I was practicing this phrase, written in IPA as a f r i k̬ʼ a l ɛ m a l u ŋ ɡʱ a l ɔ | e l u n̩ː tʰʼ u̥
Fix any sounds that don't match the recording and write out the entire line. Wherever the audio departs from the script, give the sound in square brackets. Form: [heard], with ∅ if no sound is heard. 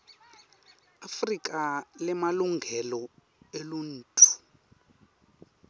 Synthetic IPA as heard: a f r i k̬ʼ a l ɛ m a l u ŋ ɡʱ [ɛ] l ɔ | e l u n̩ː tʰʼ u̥